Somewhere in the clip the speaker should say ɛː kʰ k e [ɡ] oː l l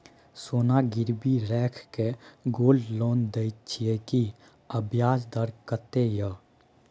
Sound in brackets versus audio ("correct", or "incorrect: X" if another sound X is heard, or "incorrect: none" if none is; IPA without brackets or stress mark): correct